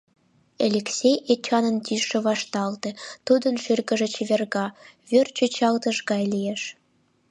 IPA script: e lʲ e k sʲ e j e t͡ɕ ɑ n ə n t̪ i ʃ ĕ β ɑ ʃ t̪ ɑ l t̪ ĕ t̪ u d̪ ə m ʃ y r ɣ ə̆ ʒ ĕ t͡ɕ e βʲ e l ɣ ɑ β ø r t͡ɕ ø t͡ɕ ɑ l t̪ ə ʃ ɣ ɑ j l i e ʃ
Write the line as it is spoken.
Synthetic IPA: e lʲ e k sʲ e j e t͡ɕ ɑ n ə n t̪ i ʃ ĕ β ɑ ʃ t̪ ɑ l t̪ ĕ t̪ u d̪ ə n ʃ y r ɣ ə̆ ʒ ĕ t͡ɕ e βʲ e r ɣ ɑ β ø r t͡ɕ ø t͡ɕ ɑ l t̪ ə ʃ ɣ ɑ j l i e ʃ